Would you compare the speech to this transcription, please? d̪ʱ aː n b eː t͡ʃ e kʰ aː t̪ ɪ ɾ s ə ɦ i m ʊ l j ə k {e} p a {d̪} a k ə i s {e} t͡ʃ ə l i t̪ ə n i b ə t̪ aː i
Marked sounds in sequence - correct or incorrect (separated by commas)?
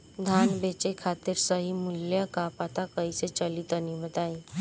incorrect, incorrect, correct